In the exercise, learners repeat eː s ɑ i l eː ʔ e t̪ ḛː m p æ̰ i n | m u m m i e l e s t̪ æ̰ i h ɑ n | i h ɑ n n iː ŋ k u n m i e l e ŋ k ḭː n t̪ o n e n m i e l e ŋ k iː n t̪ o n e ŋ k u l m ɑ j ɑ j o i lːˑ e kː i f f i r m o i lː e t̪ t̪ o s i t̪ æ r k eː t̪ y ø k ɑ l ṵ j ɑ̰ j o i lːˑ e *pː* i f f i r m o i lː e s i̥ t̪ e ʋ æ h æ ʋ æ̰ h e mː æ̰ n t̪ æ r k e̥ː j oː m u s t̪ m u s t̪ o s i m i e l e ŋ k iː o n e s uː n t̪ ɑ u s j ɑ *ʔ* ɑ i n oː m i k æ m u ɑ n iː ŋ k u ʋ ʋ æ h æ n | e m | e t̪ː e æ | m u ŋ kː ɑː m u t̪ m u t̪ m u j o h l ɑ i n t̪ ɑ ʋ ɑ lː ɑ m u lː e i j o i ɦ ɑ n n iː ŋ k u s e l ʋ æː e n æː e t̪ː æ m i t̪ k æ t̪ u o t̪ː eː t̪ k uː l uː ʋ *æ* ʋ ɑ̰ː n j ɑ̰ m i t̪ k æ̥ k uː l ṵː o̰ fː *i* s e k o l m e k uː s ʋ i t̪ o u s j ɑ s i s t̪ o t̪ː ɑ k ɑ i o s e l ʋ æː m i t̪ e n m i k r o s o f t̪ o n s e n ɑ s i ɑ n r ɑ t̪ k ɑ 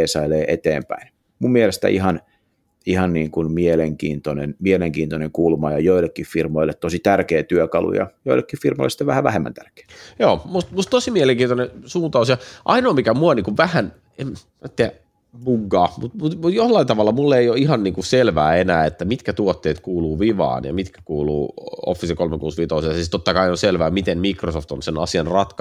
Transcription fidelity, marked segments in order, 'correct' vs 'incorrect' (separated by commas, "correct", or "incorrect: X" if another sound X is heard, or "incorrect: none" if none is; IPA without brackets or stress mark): incorrect: kː, correct, incorrect: i, correct